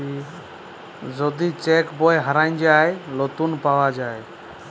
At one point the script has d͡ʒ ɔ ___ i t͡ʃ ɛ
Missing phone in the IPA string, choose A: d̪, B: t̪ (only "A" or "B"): A